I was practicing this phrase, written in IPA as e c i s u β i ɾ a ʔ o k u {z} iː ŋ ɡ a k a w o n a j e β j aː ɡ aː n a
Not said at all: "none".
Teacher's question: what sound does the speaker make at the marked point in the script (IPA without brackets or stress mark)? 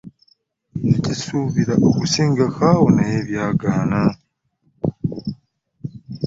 s